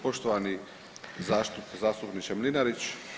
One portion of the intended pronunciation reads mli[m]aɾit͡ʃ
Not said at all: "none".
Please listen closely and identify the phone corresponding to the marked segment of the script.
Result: n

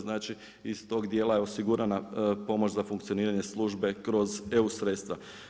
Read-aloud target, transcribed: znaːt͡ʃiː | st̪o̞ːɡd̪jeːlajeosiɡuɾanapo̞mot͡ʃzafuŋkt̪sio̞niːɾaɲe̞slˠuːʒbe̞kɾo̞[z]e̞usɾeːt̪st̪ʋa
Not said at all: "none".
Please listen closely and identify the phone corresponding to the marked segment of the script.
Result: z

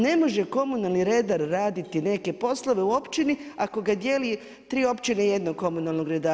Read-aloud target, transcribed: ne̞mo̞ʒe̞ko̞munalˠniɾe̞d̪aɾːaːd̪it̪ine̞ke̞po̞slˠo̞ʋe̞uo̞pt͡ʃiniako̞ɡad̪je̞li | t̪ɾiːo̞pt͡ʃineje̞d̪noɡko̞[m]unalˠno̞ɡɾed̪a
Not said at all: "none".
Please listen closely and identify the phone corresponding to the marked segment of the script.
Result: m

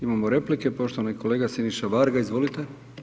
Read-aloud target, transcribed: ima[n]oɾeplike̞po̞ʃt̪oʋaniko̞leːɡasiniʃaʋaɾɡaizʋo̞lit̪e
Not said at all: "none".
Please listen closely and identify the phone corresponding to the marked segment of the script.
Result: m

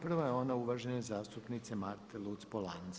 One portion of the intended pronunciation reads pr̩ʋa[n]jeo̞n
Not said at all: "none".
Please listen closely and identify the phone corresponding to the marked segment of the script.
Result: none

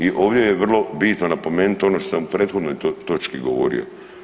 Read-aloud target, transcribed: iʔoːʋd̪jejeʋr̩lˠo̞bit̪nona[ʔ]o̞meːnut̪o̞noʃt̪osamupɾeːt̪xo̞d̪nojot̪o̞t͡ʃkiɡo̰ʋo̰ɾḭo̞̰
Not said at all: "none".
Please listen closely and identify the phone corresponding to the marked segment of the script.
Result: p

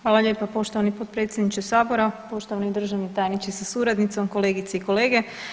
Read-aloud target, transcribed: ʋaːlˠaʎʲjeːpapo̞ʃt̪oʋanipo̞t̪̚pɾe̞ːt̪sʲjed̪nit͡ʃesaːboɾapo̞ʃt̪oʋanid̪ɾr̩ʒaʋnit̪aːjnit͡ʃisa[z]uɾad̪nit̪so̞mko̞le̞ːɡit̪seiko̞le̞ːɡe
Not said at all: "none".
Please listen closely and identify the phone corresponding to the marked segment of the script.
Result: s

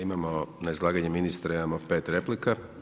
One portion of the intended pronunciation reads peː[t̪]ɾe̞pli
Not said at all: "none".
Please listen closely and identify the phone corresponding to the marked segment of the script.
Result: t̪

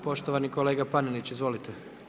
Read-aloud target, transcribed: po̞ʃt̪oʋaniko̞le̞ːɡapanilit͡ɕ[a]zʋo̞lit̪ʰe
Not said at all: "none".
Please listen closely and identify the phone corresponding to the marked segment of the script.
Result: i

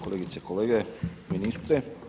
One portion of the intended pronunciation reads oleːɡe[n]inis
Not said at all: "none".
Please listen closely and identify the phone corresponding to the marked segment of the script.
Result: m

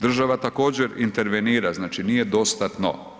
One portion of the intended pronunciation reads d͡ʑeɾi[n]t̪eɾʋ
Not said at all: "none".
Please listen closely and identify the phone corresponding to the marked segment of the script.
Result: n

